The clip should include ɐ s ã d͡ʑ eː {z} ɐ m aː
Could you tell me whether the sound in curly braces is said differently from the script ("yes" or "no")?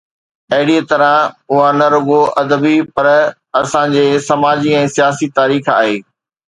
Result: yes